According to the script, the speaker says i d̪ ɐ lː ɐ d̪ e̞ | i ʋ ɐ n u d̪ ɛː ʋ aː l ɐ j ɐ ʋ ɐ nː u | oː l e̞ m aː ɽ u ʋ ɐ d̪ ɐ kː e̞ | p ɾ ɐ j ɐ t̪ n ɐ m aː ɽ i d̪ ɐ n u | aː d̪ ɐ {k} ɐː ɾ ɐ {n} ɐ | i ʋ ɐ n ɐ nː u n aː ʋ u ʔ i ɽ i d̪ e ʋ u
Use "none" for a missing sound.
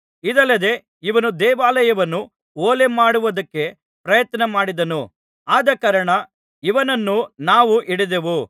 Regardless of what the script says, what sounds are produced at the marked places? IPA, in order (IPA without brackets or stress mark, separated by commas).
k, ɳ